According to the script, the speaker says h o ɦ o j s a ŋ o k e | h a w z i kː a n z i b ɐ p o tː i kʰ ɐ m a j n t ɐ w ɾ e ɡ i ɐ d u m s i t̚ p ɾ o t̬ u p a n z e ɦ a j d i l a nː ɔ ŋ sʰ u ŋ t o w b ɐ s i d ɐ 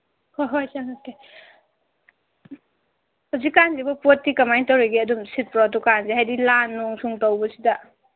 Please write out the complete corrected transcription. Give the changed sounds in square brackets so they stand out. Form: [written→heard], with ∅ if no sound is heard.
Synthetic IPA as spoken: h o ɦ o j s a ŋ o k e | h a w z i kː a n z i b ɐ p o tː i [kʰ→k] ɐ m a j n t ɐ w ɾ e ɡ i ɐ d u m s i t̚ p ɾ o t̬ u [p→k] a n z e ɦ a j d i l a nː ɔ ŋ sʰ u ŋ t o w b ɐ s i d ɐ